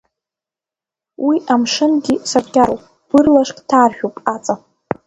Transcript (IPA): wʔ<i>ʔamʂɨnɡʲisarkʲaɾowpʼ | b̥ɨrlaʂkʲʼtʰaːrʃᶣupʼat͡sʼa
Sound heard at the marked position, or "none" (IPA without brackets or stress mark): i